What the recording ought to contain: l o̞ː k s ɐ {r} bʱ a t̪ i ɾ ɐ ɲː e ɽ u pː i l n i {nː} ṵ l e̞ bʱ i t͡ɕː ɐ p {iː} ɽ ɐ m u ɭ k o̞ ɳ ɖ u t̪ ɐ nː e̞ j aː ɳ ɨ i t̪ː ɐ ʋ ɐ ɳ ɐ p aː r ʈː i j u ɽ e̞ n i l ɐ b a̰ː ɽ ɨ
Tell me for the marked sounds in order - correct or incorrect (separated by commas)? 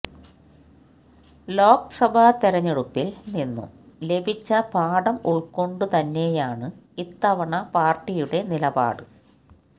incorrect, correct, incorrect